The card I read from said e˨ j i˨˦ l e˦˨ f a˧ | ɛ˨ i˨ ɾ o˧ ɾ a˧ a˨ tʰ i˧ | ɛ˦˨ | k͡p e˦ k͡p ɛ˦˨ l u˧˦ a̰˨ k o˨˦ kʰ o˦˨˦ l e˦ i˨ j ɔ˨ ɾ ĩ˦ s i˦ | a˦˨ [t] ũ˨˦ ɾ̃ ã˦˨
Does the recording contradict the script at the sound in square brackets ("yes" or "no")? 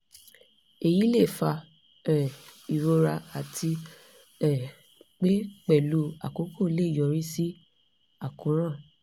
yes